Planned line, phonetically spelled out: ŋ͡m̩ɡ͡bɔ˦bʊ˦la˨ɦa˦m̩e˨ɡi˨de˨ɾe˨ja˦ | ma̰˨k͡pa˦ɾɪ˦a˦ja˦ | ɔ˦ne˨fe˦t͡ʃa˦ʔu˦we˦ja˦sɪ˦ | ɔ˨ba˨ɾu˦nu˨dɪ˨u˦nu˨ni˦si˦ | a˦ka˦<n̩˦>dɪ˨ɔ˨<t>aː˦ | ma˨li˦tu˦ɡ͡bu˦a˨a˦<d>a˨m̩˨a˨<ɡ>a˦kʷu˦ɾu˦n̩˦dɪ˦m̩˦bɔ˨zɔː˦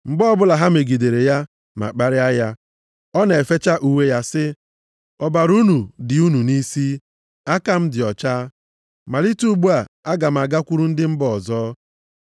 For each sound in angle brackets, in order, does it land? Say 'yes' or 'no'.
no, no, no, yes

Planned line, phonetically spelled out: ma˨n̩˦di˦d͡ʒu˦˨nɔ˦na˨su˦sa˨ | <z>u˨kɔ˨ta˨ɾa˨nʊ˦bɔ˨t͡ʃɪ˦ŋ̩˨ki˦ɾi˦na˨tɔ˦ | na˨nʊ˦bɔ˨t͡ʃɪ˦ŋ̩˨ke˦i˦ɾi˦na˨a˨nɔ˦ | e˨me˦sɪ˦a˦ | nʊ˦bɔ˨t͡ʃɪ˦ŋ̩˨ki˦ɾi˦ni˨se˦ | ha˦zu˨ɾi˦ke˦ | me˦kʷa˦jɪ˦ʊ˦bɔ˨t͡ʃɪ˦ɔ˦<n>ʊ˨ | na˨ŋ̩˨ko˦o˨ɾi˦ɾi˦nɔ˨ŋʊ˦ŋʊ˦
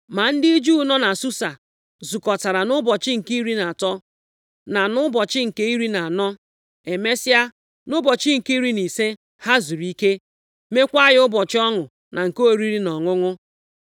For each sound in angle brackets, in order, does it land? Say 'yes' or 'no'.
yes, no

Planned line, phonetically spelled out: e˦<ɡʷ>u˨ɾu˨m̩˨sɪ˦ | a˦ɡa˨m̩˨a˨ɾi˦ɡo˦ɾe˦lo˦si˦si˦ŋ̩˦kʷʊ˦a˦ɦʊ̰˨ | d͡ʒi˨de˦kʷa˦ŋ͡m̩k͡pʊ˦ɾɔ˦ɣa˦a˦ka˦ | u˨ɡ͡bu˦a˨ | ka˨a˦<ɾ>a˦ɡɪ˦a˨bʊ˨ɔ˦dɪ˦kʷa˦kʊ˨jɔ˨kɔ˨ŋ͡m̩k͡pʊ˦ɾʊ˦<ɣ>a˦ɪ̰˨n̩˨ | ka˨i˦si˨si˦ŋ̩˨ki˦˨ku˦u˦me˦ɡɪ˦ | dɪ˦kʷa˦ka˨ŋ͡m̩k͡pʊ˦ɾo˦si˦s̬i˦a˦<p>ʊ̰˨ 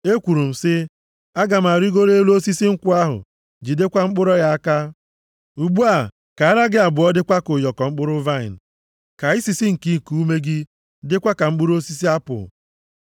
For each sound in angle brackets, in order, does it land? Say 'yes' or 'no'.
no, yes, no, yes

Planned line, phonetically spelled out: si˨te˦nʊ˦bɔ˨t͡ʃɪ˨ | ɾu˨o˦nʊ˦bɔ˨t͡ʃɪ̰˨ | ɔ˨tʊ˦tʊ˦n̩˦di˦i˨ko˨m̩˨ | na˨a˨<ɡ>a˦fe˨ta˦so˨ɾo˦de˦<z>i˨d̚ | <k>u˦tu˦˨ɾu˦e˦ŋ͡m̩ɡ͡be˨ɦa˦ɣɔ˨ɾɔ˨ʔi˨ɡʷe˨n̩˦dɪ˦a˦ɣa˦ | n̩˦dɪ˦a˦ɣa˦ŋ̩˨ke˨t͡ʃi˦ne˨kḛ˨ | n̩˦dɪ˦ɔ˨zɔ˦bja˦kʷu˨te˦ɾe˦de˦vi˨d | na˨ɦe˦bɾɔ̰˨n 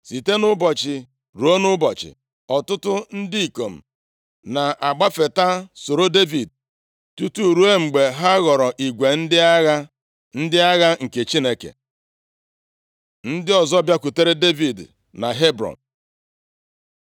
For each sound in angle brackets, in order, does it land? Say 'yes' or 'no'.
no, no, no

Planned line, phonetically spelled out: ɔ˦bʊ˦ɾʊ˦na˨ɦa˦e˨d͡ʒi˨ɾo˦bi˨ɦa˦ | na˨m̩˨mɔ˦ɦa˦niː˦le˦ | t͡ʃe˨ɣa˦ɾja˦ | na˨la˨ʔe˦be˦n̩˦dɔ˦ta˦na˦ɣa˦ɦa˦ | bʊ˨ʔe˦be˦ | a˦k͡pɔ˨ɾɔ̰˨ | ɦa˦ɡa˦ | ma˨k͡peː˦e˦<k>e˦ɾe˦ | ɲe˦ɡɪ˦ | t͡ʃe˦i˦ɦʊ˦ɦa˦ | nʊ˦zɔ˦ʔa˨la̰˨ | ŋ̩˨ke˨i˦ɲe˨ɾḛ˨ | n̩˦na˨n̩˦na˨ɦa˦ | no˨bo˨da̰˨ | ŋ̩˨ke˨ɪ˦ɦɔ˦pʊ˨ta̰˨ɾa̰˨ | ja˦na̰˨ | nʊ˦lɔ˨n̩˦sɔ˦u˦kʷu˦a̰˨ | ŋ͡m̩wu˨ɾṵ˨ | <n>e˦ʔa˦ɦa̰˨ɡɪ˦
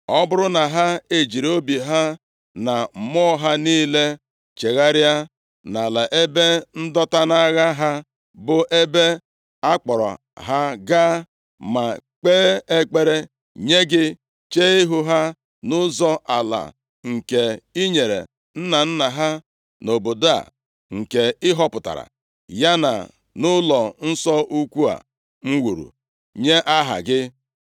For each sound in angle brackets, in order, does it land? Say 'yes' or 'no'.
no, no

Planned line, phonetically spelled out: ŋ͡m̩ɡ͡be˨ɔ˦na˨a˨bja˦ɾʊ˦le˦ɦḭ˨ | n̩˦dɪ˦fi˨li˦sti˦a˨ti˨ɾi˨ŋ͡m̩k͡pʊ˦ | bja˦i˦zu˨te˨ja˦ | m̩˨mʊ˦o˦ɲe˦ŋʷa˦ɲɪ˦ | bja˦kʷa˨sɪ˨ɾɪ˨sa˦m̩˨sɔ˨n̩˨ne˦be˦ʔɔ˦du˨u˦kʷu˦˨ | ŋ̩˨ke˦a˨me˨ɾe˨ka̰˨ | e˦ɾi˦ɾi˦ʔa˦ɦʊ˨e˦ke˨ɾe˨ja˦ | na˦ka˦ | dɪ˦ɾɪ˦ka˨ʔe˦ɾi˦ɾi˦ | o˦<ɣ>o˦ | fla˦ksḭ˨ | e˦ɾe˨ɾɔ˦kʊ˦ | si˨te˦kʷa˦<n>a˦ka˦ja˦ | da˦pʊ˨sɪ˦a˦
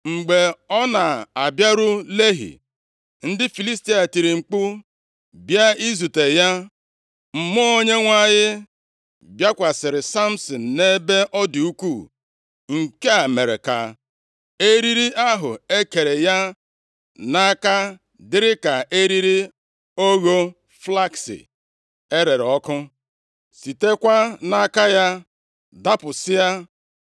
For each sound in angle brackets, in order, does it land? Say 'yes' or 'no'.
yes, yes

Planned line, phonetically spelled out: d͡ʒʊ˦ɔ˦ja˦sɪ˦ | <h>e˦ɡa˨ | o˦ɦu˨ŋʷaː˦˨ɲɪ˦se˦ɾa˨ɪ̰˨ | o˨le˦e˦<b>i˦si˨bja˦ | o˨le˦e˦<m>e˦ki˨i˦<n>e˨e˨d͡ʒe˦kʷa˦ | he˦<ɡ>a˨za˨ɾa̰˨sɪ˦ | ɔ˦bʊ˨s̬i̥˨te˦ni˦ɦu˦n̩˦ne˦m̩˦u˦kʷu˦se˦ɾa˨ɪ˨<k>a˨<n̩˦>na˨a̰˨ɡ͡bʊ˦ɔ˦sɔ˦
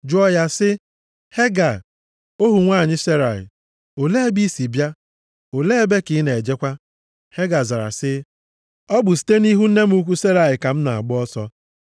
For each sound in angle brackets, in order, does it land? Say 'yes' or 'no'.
yes, yes, no, yes, yes, yes, no

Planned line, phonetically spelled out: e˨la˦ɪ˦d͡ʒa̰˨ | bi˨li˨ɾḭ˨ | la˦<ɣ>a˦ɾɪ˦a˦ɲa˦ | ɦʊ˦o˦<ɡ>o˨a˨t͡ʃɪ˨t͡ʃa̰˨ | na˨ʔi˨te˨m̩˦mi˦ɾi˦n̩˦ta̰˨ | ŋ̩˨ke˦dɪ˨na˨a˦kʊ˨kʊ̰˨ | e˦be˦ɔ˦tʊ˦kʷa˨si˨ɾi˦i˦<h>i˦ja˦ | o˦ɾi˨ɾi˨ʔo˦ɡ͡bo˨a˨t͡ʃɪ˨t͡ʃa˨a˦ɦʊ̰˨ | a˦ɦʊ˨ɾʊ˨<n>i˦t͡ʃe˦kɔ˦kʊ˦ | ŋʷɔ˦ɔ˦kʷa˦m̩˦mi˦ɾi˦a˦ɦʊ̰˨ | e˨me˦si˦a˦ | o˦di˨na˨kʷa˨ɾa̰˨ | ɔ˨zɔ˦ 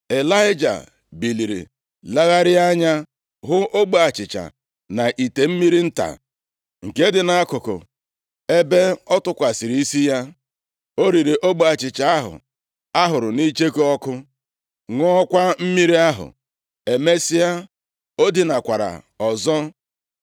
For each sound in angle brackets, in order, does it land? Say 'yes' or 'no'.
yes, no, no, yes

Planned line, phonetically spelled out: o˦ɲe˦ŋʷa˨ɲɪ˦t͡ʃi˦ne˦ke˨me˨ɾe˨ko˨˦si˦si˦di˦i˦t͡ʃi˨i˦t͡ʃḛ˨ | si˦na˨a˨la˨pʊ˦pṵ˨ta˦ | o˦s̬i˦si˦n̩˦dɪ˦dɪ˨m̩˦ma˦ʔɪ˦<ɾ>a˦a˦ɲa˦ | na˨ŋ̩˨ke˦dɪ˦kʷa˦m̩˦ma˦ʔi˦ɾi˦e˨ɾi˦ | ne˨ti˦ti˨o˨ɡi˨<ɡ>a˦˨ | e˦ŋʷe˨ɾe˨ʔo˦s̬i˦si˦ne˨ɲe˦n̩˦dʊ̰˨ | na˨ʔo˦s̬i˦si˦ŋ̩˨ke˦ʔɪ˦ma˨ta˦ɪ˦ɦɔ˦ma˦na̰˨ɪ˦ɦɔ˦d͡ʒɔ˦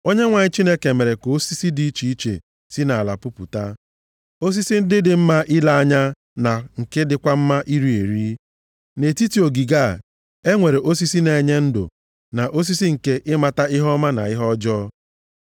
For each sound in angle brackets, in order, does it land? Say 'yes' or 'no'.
no, yes

